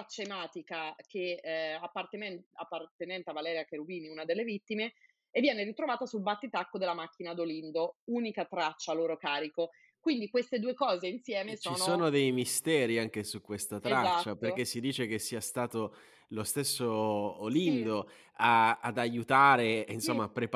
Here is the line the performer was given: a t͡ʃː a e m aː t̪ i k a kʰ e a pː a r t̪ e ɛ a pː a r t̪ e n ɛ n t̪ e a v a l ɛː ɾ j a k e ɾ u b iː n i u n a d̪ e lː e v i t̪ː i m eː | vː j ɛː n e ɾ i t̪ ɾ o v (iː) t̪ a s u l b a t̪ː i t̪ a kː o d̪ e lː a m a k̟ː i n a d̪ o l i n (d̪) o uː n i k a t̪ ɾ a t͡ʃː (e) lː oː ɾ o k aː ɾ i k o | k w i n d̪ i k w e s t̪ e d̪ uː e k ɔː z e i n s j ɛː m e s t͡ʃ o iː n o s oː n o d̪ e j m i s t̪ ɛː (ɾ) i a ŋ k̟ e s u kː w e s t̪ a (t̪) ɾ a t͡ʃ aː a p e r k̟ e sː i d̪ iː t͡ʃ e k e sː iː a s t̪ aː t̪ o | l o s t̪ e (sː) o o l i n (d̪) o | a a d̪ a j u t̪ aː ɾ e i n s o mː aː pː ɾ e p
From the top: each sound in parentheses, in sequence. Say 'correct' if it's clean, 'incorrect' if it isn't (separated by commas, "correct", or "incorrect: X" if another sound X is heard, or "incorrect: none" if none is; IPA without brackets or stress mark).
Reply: incorrect: aː, correct, incorrect: a, correct, correct, correct, correct